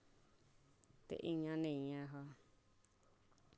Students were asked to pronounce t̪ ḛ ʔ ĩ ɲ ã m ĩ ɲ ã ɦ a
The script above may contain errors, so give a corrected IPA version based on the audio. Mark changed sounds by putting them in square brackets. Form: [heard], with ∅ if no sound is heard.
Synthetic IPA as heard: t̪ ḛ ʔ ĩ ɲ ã [n] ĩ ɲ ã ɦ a